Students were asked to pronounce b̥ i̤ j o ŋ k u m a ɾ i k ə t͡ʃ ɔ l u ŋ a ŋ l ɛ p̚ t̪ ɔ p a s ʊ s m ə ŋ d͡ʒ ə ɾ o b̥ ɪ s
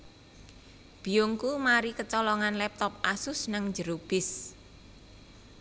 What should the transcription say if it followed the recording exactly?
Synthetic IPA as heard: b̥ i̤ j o ŋ k u m a ɾ i k ə t͡ʃ ɔ l ɔ ŋ a n l ɛ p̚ t̪ ɔ p a s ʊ s n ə ŋ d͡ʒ ə ɾ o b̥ ɪ s